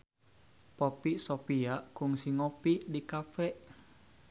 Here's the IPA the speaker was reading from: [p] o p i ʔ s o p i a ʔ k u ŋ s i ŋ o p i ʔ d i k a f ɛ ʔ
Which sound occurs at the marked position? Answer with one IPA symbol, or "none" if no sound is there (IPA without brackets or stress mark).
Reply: p